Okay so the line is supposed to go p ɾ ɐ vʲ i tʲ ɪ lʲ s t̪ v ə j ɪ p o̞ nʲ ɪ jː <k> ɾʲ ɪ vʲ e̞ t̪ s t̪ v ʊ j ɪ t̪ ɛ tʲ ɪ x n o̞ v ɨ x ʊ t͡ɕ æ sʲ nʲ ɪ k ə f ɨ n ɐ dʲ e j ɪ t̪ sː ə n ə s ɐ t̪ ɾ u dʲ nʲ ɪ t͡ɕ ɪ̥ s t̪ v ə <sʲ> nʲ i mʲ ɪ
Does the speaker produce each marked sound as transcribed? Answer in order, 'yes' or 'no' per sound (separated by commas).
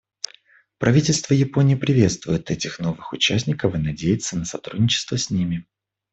no, yes